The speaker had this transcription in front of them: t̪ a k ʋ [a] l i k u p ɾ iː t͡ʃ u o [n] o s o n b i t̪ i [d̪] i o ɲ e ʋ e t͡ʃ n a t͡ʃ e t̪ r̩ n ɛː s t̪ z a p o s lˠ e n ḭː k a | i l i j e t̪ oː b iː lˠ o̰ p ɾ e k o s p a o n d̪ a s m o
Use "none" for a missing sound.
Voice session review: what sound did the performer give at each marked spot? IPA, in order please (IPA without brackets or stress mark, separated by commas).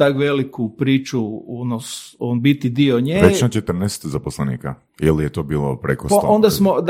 e, n, d̪